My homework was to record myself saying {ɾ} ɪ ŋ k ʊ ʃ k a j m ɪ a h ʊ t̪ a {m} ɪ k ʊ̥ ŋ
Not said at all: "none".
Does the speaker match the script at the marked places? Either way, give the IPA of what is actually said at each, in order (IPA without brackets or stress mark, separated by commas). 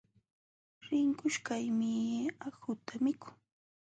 ɾ, m